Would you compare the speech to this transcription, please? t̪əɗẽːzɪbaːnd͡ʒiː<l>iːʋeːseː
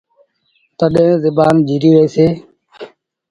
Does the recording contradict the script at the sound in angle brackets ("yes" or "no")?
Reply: yes